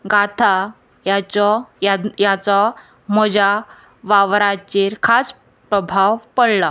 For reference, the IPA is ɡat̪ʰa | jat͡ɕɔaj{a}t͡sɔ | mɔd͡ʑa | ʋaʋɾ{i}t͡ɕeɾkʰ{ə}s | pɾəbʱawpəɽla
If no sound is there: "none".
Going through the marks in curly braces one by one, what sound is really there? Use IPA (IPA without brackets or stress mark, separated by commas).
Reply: a, a, a